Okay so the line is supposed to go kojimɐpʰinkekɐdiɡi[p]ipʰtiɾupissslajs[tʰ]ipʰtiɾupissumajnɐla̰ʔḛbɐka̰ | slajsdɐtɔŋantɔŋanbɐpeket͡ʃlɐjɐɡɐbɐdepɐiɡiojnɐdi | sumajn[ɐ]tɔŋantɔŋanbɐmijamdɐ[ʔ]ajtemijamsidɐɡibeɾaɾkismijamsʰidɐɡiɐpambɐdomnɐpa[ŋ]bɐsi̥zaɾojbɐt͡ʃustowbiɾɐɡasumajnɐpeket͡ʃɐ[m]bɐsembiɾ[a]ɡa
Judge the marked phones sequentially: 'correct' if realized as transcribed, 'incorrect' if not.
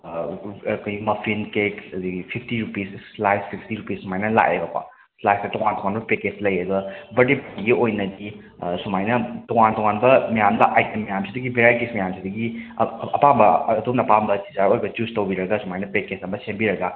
incorrect: pʰ, incorrect: pʰ, correct, correct, incorrect: m, correct, incorrect: ɐ

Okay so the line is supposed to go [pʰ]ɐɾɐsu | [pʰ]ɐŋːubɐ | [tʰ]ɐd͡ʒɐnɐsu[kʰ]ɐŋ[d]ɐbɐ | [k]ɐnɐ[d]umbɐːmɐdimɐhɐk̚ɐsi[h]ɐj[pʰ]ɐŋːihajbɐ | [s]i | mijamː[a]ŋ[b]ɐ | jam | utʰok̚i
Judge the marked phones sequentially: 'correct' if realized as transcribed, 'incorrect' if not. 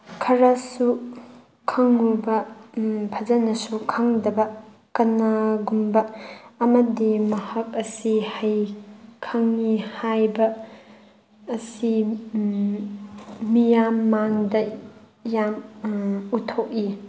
incorrect: kʰ, incorrect: kʰ, incorrect: pʰ, correct, correct, correct, incorrect: ɡ, correct, incorrect: kʰ, correct, correct, incorrect: d

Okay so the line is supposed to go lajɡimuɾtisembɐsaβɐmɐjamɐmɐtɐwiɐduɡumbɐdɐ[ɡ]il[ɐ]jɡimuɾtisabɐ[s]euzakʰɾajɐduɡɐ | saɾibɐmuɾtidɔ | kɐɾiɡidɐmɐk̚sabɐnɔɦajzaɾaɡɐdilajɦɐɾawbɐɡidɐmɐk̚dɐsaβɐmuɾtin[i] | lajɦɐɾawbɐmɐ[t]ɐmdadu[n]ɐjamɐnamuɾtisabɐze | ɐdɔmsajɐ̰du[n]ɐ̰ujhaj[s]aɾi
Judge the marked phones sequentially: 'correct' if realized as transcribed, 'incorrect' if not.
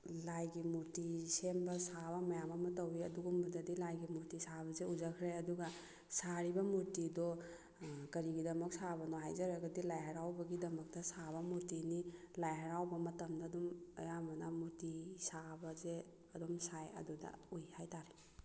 incorrect: d, incorrect: a, incorrect: z, correct, correct, incorrect: m, incorrect: d, incorrect: t

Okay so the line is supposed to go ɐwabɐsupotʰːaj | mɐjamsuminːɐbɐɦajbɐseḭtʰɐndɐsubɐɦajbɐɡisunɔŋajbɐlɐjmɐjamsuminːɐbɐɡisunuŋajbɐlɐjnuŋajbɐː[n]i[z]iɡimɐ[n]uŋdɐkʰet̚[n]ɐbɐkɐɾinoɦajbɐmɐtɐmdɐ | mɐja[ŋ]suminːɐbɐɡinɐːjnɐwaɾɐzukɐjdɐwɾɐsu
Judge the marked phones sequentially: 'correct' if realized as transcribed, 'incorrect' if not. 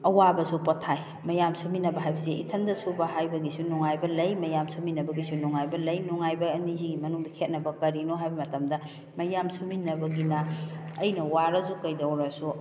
correct, correct, correct, correct, incorrect: m

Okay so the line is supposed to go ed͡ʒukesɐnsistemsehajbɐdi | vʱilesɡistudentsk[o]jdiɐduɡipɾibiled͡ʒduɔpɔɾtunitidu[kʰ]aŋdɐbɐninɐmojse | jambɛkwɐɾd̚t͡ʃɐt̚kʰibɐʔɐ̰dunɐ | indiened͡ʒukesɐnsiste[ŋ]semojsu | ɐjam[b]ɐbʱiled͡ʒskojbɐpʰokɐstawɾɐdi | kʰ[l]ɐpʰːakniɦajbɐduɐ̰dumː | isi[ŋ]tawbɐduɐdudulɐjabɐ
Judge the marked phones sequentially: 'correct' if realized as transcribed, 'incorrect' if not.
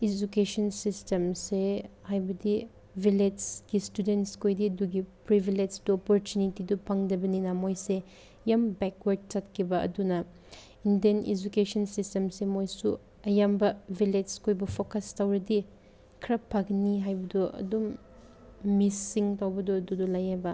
correct, incorrect: pʰ, incorrect: m, correct, incorrect: ɾ, correct

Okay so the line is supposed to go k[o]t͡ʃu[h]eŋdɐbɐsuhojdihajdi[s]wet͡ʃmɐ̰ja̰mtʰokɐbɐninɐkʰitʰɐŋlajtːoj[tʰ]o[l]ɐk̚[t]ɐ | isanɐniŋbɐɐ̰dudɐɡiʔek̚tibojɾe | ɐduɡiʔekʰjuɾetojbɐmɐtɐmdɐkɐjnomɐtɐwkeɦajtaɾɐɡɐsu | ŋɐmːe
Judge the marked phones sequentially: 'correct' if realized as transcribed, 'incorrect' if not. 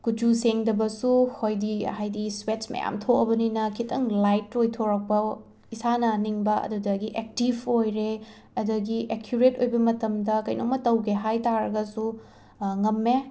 incorrect: u, incorrect: s, correct, correct, incorrect: ɾ, incorrect: p

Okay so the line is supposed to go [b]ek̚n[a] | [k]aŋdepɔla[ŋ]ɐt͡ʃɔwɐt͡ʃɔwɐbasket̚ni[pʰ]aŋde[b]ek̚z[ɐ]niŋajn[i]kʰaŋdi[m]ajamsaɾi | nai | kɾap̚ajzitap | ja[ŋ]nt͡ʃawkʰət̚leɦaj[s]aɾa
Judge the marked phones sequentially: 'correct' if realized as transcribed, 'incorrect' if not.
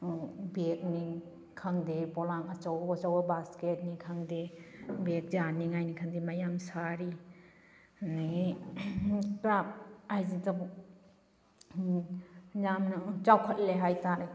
correct, incorrect: i, incorrect: kʰ, correct, incorrect: kʰ, correct, incorrect: a, correct, correct, incorrect: m, incorrect: t

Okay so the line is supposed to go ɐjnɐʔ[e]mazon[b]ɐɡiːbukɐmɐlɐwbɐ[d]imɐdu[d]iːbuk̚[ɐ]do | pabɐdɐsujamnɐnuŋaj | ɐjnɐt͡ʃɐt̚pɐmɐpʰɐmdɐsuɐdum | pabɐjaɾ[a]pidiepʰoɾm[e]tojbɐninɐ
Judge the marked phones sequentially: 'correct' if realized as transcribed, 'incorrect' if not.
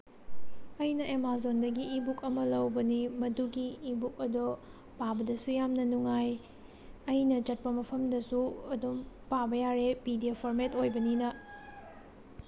correct, incorrect: d, incorrect: n, incorrect: ɡ, correct, incorrect: e, correct

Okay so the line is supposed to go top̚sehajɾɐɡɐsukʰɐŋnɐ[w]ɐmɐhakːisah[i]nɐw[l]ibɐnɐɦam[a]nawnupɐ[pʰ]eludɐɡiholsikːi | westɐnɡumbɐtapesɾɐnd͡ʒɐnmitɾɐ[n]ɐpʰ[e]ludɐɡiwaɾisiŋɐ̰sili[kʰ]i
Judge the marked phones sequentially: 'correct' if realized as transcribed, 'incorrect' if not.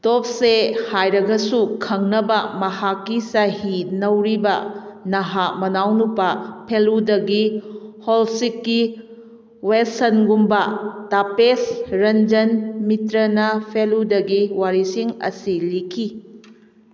incorrect: b, correct, incorrect: ɾ, incorrect: ɐ, correct, correct, correct, correct

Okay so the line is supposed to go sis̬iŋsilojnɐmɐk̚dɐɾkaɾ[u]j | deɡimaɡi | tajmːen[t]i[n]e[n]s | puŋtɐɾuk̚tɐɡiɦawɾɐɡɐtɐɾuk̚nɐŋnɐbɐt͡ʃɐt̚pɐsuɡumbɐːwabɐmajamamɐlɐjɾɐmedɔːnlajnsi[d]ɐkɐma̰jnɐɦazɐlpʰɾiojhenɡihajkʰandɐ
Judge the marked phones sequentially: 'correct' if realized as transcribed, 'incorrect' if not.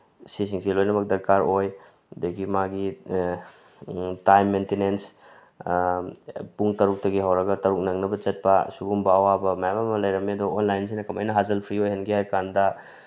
incorrect: o, correct, correct, correct, incorrect: n

